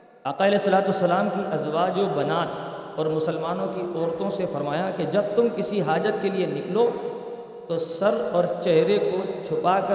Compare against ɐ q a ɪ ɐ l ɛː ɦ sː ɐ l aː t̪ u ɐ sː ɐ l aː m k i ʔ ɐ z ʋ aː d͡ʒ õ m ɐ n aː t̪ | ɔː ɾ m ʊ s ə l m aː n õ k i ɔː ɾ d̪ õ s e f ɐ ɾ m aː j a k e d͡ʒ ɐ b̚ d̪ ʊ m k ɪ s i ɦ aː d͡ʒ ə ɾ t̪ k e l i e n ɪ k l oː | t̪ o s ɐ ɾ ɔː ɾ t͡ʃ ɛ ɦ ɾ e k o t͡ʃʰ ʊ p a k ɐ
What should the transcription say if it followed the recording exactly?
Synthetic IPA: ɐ q a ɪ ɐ l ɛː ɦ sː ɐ l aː t̪ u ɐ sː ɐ l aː m k i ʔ ɐ z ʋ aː d͡ʒ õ b ɐ n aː t̪ | ɔː ɾ m ʊ s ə l m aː n õ k i ɔː ɾ t̪ õ s e f ɐ ɾ m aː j a k e d͡ʒ ɐ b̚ t̪ ʊ m k ɪ s i ɦ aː d͡ʒ ə t̪ k e l i e n ɪ k l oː | t̪ o s ɐ ɾ ɔː ɾ t͡ʃ ɛ ɦ ɾ e k o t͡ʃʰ ʊ p a k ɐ